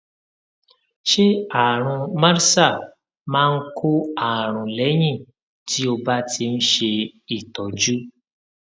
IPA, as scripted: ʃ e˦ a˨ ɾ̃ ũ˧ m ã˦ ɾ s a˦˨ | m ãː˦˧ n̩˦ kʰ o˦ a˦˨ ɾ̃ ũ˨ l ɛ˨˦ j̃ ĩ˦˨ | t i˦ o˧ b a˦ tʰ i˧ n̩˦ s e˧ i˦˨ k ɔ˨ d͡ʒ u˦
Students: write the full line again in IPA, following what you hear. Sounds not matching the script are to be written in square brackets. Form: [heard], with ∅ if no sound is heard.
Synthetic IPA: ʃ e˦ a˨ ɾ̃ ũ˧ m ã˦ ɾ s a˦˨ | m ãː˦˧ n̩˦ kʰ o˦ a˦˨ ɾ̃ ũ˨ l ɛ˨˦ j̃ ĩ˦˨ | t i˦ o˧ b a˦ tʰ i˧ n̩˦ [ʃ] e˧ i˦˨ [t] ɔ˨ d͡ʒ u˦